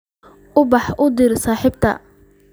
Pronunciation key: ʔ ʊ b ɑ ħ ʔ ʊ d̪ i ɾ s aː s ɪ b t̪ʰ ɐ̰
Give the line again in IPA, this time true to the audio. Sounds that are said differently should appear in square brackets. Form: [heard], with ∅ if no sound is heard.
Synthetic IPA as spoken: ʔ ʊ b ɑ ħ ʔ ʊ d̪ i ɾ s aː [ħ] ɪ b t̪ʰ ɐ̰